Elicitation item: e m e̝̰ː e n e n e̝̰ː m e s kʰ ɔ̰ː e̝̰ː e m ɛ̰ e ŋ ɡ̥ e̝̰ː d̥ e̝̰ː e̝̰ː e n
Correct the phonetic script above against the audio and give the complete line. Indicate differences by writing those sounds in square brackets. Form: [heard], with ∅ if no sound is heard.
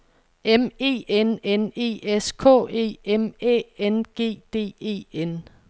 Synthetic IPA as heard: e m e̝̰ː e n e n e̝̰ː [∅] e s kʰ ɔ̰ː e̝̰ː e m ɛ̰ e [n] ɡ̥ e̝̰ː d̥ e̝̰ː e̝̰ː e n